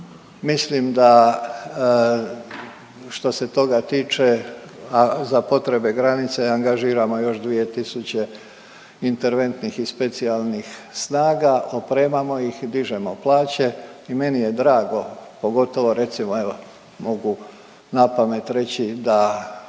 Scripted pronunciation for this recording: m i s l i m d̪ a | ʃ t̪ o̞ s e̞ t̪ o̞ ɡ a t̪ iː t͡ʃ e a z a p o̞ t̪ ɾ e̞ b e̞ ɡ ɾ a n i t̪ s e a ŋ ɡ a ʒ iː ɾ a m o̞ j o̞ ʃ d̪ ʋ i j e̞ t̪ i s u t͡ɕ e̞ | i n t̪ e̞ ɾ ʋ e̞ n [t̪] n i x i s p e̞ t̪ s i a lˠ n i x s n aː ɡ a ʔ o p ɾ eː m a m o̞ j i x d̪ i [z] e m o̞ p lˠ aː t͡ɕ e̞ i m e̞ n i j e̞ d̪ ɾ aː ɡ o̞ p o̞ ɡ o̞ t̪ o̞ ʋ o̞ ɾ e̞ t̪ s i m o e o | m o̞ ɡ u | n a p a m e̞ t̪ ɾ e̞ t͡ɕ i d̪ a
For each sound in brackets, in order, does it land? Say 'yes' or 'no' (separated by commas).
yes, no